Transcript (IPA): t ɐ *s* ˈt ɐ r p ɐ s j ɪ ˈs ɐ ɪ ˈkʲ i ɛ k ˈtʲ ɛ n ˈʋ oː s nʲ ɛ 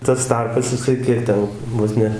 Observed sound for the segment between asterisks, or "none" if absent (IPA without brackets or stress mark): s